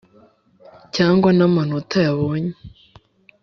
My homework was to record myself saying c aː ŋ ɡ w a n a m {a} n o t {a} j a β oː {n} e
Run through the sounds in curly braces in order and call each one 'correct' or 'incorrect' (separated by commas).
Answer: correct, correct, incorrect